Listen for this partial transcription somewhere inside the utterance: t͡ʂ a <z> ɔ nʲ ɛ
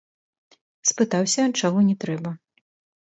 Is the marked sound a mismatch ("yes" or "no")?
yes